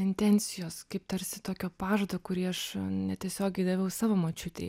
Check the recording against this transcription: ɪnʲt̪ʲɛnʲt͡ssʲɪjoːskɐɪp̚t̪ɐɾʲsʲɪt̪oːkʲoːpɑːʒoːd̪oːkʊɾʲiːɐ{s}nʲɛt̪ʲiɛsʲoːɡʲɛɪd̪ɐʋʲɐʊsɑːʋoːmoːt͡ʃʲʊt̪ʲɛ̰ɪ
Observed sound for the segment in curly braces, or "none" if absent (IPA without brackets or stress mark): ʃ